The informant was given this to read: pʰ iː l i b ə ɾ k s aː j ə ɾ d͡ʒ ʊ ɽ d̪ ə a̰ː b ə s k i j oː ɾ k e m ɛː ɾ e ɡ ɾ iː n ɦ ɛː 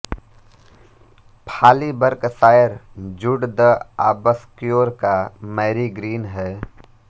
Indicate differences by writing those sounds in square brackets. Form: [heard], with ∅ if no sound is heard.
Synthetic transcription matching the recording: pʰ [aː] l i b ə ɾ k s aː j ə ɾ d͡ʒ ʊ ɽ d̪ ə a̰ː b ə s k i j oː ɾ k [a] m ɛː ɾ [i] ɡ ɾ iː n ɦ ɛː